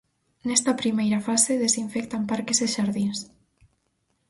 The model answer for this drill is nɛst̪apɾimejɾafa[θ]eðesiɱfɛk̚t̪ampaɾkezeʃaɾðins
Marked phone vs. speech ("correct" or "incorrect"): incorrect